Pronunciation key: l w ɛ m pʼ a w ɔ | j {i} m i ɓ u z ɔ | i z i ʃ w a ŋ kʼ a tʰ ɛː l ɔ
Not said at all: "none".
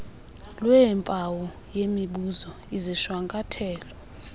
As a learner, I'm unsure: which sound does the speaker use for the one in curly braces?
e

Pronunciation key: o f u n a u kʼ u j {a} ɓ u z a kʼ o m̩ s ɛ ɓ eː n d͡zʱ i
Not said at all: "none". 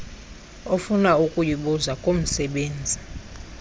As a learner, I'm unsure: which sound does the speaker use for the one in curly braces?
i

